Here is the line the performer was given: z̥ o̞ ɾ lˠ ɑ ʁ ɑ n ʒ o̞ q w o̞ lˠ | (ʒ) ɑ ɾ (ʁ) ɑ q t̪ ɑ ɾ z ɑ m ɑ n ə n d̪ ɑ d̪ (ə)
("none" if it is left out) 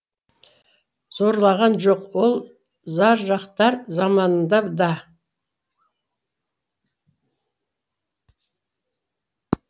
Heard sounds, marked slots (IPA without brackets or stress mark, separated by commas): z, ʒ, ɑ